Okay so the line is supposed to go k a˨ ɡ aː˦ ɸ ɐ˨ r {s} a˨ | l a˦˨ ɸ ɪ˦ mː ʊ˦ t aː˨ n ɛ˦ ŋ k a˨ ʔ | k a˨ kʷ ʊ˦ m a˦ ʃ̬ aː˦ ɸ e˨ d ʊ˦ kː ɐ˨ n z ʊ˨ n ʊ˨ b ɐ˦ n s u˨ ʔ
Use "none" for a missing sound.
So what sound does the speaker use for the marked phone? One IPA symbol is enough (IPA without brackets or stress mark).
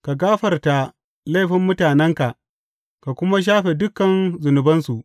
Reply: t